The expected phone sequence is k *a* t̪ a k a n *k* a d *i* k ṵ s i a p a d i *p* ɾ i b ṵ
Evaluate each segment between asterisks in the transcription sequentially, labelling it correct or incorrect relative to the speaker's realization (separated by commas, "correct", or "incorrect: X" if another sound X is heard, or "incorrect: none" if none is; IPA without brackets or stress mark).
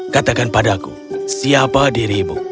correct, incorrect: p, incorrect: a, incorrect: none